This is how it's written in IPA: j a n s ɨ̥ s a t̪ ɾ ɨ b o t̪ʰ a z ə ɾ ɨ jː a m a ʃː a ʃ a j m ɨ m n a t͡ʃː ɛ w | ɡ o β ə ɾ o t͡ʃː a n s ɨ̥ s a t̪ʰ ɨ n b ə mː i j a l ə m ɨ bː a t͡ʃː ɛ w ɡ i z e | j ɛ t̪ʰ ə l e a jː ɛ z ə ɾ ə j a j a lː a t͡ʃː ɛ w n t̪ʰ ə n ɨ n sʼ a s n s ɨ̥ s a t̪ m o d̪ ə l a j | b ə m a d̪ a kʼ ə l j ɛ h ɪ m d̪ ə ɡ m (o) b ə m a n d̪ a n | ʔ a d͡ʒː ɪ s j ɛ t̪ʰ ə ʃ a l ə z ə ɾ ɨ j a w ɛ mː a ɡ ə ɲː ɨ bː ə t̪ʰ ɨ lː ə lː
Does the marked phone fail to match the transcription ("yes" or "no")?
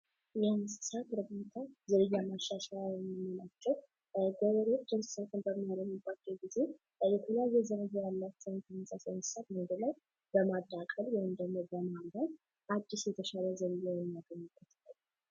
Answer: no